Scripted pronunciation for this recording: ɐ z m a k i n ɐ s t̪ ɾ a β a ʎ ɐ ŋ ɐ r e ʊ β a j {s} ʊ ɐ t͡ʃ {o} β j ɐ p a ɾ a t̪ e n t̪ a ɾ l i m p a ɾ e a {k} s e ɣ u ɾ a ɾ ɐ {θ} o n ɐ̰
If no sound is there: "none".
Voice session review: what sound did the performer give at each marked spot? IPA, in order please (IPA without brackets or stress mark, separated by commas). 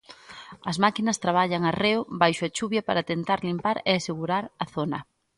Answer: ʃ, u, none, θ